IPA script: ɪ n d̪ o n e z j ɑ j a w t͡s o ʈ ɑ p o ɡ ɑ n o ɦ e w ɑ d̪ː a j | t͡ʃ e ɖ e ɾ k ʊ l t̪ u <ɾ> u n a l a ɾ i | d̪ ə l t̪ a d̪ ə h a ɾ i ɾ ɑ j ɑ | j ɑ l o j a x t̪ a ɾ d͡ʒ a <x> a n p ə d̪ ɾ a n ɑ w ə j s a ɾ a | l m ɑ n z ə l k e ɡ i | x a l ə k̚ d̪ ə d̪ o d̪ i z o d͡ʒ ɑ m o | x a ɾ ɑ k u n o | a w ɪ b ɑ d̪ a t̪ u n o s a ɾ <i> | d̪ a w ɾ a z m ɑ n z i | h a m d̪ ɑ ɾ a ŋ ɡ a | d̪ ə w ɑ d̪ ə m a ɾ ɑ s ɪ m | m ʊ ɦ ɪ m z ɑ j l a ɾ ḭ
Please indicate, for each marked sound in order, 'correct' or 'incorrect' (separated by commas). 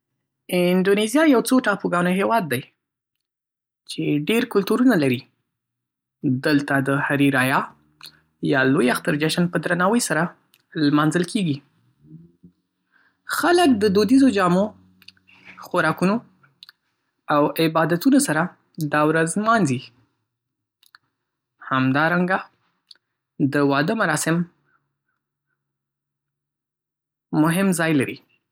correct, incorrect, incorrect